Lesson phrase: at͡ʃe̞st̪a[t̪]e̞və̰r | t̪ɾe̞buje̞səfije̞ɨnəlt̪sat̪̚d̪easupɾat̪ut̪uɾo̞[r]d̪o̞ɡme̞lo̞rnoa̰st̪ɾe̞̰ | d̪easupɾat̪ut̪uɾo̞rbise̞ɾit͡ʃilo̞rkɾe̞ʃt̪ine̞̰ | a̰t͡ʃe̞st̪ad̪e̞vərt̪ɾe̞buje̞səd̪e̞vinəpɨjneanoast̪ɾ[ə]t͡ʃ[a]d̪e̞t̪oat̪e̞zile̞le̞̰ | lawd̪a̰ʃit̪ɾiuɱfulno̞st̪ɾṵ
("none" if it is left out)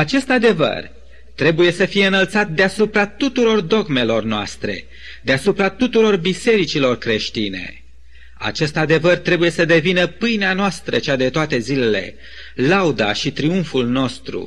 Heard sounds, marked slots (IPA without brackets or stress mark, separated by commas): d̪, r, ə, a